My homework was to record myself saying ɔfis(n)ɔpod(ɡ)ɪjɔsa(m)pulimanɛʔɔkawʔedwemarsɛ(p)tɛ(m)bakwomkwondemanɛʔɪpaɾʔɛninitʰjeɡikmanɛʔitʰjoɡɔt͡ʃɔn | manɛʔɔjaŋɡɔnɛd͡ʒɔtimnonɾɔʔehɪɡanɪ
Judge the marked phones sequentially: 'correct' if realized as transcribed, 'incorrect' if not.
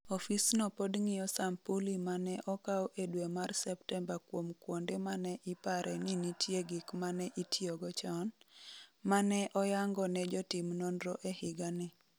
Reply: correct, incorrect, correct, correct, correct

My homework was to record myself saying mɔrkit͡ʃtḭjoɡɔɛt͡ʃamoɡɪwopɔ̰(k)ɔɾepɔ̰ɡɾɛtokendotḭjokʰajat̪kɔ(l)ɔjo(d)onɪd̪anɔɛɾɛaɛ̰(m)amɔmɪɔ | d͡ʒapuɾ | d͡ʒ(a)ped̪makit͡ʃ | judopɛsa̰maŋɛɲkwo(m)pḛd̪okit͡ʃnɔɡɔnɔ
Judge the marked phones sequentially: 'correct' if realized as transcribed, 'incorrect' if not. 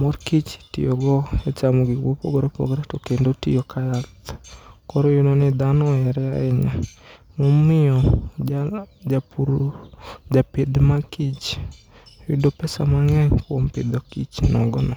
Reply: incorrect, incorrect, incorrect, incorrect, correct, correct

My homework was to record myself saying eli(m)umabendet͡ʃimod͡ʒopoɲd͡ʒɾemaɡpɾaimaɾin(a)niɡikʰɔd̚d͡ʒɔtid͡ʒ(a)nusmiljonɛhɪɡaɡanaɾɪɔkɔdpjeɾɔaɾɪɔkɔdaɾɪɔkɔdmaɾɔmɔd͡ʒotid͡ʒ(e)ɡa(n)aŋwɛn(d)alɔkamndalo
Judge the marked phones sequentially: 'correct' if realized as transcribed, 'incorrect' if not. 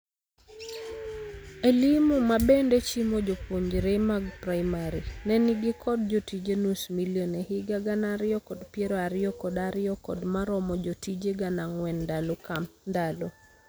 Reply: correct, incorrect, incorrect, correct, correct, correct

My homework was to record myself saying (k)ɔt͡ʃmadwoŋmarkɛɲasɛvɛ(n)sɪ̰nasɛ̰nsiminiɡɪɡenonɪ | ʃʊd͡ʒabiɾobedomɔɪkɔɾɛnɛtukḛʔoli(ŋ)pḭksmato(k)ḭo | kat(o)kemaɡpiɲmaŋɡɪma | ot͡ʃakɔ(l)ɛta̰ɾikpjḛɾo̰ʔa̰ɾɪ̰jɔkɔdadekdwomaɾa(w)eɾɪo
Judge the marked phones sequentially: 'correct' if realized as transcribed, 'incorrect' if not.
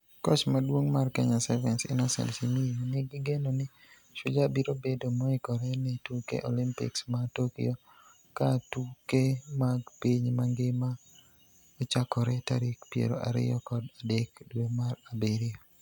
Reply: correct, correct, incorrect, correct, incorrect, incorrect, incorrect

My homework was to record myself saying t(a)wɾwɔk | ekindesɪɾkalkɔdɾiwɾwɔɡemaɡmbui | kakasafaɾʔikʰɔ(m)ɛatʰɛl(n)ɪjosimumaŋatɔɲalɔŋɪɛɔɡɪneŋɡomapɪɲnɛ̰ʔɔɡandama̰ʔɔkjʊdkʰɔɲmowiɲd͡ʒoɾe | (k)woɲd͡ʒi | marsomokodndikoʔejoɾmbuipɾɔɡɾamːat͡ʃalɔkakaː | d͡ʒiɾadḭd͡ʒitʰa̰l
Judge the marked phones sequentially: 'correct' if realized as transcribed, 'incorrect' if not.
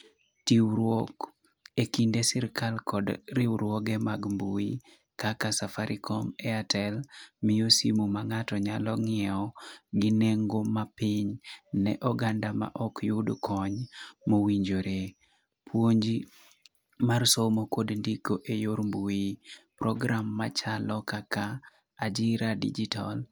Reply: incorrect, correct, incorrect, incorrect

